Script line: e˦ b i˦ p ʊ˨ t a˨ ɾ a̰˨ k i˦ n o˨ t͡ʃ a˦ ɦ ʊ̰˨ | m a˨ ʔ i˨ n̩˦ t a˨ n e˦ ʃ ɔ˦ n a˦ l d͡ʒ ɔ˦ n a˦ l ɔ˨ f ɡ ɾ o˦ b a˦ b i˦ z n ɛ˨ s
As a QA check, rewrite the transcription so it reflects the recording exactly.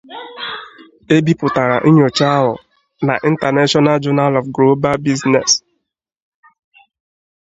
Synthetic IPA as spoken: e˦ b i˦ p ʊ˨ t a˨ ɾ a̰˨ ʔ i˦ ɲ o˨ t͡ʃ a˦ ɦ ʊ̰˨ | n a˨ ʔ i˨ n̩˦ t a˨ n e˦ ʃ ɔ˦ n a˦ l d͡ʒ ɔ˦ n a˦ l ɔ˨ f ɡ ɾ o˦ b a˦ b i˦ z n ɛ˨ s